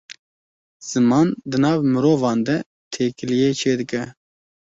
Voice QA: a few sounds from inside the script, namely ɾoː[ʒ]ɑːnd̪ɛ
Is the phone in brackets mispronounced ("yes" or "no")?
yes